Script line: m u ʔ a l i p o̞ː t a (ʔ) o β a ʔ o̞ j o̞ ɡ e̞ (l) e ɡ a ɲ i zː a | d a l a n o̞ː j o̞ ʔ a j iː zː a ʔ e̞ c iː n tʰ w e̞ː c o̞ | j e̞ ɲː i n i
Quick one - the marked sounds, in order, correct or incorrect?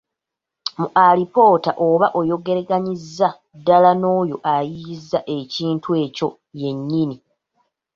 correct, incorrect: ɾ

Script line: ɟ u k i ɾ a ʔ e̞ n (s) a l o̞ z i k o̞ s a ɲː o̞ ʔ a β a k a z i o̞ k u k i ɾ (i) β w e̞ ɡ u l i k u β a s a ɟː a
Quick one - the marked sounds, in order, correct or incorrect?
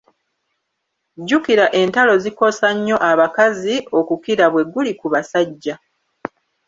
incorrect: t, incorrect: a

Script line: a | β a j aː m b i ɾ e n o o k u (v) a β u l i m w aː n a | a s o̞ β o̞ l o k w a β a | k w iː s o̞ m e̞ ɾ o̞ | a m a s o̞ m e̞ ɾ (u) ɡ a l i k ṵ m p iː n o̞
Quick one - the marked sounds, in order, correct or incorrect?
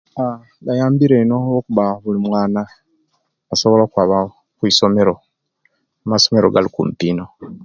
incorrect: β, incorrect: o

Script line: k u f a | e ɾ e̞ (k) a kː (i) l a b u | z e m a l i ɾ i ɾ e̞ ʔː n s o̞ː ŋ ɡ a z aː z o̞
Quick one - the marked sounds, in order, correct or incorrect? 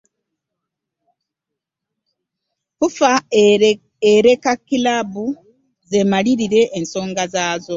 correct, correct

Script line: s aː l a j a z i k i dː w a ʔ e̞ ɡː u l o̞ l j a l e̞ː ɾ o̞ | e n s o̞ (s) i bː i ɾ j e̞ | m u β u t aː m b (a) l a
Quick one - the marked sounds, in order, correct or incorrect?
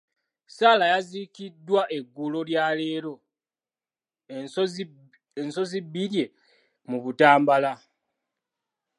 incorrect: z, correct

